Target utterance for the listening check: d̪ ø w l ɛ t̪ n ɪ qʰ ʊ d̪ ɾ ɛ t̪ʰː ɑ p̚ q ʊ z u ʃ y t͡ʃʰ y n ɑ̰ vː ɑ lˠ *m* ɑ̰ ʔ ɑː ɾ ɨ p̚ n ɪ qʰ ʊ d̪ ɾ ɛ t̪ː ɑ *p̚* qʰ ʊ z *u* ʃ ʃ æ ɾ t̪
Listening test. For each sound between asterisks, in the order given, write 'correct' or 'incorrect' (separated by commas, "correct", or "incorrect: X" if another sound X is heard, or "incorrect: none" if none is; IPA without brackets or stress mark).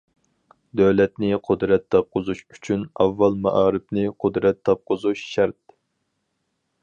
correct, correct, correct